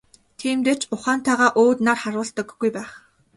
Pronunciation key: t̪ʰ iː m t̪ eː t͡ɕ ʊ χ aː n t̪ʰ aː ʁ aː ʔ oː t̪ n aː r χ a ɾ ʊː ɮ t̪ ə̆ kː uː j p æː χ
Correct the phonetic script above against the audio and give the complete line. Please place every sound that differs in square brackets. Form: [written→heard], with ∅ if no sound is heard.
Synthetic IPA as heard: t̪ʰ iː m t̪ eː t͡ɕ ʊ χ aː n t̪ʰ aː ʁ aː ʔ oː t̪ n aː r χ a ɾ ʊː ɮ t̪ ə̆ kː [uː→u] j p æː χ